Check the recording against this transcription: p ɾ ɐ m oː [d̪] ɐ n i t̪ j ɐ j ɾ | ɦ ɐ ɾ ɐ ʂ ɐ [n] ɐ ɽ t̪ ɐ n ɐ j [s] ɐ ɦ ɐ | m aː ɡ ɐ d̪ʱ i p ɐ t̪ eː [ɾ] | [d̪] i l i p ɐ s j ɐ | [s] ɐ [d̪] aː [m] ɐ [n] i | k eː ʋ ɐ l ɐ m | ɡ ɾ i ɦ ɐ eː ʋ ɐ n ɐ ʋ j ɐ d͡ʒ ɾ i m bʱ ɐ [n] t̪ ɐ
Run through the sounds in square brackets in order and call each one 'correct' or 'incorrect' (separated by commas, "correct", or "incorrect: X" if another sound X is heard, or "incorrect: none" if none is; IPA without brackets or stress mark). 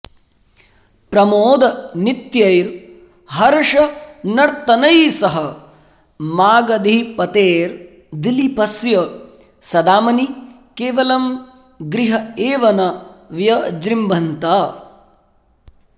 correct, correct, correct, correct, correct, correct, correct, correct, correct, correct